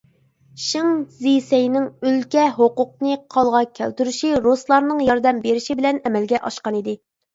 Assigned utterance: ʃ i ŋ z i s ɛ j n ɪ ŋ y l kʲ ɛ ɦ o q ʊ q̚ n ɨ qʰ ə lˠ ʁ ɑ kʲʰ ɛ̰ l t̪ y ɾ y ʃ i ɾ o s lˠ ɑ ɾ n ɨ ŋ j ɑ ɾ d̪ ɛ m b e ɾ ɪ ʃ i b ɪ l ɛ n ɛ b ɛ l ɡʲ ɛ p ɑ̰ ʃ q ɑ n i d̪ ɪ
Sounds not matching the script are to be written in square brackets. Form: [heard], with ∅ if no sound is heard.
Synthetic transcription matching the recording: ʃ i ŋ z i s ɛ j n ɪ ŋ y l kʲ ɛ ɦ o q ʊ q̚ n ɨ qʰ [ɑ] lˠ ʁ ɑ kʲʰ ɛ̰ l t̪ y ɾ y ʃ i ɾ o s lˠ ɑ ɾ n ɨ ŋ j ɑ ɾ d̪ ɛ m b e ɾ ɪ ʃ i b ɪ l ɛ n ɛ [m] ɛ l ɡʲ ɛ [ʔ] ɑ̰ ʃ q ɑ n i d̪ ɪ